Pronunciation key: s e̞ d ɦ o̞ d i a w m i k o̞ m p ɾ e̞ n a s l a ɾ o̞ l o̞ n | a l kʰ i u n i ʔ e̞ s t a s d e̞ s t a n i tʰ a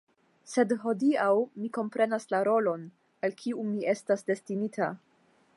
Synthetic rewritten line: s e̞ d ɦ o̞ d i a w m i k o̞ m p ɾ e̞ n a s l a ɾ o̞ l o̞ n | a l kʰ i u m i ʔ e̞ s t a s d e̞ s t i n i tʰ a